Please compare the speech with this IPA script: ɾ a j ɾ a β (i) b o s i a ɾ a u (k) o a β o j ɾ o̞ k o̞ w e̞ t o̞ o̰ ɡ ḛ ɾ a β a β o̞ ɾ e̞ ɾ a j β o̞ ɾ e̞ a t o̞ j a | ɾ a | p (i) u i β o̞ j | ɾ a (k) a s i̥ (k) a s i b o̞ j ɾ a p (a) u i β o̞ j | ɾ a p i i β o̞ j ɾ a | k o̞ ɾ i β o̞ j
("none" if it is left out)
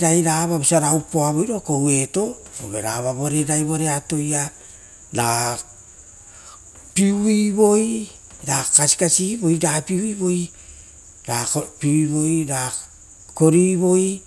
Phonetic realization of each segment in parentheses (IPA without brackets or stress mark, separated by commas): a, p, i, k, k, i